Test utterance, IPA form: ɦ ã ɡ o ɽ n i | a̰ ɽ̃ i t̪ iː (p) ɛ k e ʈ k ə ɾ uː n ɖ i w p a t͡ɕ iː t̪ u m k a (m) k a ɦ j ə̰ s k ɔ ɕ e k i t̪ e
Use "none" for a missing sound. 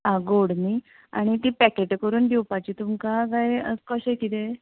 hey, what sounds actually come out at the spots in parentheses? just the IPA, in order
p, none

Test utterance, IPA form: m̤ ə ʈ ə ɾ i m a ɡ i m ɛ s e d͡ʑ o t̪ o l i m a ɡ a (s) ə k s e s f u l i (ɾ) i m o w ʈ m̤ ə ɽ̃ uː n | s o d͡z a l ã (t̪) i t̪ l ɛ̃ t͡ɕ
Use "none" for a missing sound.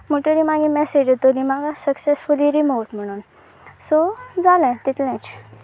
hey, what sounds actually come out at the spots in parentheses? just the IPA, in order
s, ɾ, t̪

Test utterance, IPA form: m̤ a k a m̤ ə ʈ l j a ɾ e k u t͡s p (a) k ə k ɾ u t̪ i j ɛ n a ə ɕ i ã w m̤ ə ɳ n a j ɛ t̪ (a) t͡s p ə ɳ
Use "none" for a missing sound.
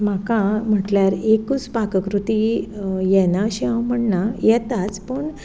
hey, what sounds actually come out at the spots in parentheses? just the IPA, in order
a, a

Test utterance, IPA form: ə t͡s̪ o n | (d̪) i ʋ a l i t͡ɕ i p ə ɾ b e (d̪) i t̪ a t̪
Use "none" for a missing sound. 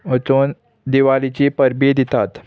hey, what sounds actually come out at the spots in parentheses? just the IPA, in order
d̪, d̪

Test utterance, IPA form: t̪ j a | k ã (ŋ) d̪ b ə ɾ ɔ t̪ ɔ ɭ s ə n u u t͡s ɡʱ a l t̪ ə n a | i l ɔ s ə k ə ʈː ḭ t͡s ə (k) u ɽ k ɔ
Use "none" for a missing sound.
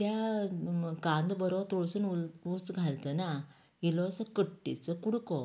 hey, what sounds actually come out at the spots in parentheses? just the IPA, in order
n, k

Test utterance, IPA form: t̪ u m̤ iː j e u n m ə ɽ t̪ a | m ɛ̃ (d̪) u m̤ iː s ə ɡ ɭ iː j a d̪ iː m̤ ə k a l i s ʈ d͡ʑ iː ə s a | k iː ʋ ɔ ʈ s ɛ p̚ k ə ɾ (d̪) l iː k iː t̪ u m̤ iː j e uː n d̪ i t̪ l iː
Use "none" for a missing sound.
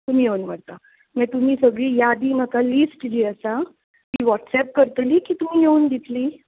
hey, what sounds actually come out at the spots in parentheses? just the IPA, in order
t̪, t̪

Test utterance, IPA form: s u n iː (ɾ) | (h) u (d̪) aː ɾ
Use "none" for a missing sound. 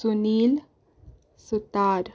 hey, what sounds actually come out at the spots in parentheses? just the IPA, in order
l, s, t̪

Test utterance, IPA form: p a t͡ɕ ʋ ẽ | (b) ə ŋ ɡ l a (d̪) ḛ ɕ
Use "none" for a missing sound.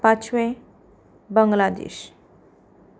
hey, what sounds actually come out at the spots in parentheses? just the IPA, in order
b, d̪

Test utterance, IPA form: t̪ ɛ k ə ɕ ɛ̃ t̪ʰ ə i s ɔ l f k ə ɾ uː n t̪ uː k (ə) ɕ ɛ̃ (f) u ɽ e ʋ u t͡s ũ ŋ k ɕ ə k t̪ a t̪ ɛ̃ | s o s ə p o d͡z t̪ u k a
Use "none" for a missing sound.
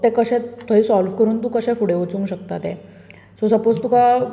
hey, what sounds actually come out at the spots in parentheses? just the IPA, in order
ə, f

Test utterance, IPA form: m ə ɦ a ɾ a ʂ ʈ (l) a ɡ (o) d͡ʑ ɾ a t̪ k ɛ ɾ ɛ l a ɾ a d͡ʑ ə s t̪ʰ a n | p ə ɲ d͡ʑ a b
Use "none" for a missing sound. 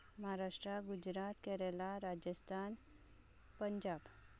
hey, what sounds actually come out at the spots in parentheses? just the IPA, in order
ɾ, u

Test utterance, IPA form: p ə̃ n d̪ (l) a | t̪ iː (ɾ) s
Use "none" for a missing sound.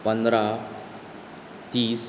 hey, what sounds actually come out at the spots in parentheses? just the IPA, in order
ɾ, none

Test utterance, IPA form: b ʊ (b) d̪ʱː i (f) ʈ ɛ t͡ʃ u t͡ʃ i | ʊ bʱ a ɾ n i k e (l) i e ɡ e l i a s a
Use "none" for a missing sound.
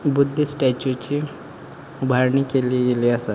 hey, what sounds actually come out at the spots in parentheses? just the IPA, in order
none, s, l

